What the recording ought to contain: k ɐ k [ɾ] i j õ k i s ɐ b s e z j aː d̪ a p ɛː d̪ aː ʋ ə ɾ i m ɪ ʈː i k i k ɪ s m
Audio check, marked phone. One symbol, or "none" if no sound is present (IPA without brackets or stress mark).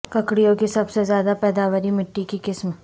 ɽ